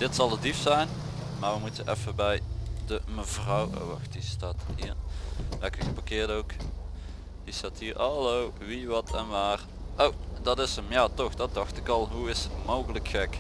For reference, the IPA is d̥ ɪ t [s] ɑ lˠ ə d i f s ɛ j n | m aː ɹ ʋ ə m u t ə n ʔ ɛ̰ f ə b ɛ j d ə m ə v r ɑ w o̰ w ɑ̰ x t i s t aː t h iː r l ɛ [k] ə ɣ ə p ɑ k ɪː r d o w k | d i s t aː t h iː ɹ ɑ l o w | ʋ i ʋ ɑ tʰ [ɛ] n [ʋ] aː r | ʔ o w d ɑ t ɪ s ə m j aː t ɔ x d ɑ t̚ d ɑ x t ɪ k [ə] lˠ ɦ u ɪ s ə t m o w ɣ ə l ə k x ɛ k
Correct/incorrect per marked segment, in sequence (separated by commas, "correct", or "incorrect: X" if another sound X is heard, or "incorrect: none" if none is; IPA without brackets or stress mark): correct, correct, correct, correct, incorrect: ɑ